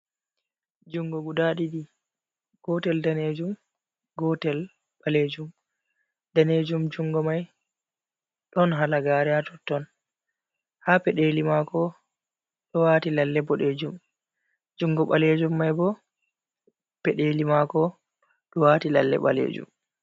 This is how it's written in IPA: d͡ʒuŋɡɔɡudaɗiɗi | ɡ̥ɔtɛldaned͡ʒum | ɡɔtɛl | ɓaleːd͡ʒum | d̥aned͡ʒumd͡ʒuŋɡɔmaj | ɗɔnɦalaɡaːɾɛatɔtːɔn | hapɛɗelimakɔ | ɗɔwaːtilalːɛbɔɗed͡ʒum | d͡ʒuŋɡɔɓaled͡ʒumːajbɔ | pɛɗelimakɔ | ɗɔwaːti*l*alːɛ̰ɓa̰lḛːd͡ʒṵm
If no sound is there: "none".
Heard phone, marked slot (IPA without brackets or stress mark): l